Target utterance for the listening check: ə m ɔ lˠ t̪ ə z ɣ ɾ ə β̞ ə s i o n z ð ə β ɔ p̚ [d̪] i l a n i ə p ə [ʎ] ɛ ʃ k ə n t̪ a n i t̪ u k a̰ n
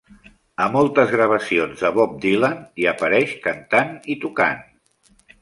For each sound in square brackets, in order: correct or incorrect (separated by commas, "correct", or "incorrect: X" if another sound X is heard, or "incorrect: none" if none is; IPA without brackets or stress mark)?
correct, incorrect: ɾ